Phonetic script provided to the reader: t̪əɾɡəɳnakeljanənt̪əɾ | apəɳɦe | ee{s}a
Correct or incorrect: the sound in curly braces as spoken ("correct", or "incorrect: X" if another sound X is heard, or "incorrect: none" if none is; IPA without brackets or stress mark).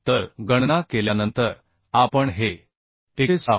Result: correct